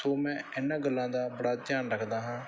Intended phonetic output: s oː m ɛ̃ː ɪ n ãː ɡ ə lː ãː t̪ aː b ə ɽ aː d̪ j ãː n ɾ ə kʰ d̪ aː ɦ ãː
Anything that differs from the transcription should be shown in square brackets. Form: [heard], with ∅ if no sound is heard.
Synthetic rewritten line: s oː m ɛ̃ː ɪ n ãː ɡ ə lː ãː [d̪] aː b ə ɽ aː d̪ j [aː] n ɾ ə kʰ d̪ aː ɦ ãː